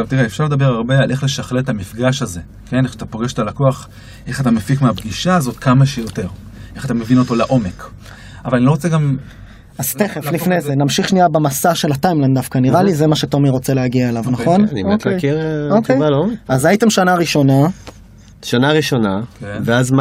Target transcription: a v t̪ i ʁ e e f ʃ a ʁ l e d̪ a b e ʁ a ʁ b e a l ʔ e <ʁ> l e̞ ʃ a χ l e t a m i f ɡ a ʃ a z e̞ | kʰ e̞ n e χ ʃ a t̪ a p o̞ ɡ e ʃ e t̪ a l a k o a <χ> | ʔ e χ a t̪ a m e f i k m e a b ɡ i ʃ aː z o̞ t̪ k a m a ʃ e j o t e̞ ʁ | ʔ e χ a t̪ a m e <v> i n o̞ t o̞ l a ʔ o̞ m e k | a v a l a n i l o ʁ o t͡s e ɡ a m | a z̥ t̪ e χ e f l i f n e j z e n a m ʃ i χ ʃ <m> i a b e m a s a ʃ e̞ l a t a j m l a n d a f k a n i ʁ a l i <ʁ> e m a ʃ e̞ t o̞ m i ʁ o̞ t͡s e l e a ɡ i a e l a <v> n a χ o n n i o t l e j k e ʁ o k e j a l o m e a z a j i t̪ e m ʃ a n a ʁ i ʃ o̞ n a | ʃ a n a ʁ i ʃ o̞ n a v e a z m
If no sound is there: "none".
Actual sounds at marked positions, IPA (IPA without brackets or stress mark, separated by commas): χ, χ, v, n, z, v